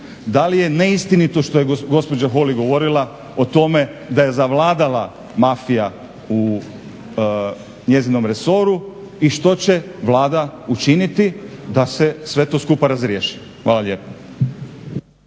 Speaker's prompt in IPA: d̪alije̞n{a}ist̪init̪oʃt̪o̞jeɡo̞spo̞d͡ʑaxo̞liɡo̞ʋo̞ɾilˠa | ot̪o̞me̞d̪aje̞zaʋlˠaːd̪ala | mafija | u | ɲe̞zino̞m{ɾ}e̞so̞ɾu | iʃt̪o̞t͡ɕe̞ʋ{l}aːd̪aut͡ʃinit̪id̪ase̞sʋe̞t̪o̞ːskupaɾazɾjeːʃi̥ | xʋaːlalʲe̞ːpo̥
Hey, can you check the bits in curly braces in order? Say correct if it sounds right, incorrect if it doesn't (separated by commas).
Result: incorrect, correct, correct